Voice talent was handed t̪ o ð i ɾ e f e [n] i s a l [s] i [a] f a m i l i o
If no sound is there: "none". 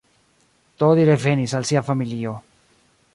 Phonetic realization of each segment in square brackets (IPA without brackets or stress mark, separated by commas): n, s, a